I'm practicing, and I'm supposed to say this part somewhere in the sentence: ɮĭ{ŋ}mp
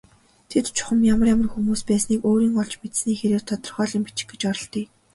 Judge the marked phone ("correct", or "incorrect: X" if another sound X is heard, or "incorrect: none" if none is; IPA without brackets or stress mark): incorrect: none